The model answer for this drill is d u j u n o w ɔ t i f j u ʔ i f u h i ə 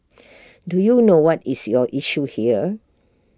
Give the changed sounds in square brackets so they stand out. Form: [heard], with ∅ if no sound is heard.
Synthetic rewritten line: d u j u n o w ɔ t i [s] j [ɔ] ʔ i [ʃ] u h i ə